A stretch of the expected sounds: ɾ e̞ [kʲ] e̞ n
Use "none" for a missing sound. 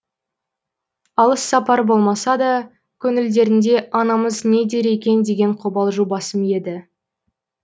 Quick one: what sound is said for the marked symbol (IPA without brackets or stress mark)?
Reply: kʲ